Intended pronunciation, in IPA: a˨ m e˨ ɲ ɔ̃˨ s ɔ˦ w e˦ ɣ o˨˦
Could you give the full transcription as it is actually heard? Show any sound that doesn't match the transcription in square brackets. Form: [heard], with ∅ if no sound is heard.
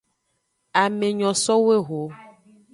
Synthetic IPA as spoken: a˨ m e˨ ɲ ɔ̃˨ s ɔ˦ w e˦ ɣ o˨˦